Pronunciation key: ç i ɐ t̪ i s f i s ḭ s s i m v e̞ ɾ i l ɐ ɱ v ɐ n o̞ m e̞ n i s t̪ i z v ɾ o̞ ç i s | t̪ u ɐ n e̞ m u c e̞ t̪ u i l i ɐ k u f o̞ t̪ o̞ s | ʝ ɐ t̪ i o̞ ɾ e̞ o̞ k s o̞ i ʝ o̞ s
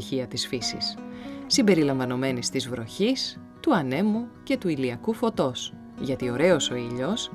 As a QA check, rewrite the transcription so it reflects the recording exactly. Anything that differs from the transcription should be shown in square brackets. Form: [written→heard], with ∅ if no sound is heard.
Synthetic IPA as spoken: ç i ɐ t̪ i s f i s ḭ s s i m [v→b] e̞ ɾ i l ɐ ɱ v ɐ n o̞ m e̞ n i s t̪ i z v ɾ o̞ ç i s | t̪ u ɐ n e̞ m u c e̞ t̪ u i l i ɐ k u f o̞ t̪ o̞ s | ʝ ɐ t̪ i o̞ ɾ e̞ o̞ [k→∅] s o̞ i [ʝ→ʎ] o̞ s